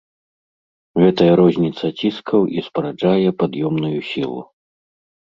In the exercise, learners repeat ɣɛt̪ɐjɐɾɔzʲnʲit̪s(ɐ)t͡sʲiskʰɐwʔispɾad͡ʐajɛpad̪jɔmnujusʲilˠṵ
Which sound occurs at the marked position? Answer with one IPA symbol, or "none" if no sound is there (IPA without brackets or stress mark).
ɐ